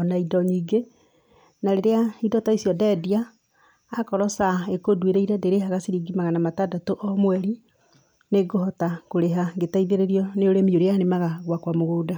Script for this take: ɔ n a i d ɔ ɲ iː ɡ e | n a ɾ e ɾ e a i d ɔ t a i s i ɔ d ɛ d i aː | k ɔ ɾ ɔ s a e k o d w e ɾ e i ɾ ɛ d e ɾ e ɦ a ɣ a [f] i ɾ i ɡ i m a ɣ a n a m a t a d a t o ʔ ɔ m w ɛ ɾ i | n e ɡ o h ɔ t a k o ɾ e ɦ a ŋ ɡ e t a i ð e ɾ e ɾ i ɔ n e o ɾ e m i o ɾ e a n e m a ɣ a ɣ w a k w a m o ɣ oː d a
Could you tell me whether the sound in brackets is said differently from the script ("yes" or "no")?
yes